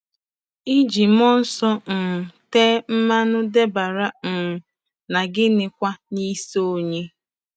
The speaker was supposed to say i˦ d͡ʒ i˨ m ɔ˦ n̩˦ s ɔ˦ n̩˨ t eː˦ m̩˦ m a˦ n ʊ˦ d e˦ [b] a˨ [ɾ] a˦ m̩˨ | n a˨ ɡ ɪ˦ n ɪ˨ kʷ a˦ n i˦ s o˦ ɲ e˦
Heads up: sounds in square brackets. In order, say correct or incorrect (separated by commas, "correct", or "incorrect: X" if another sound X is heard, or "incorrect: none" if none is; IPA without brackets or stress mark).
correct, correct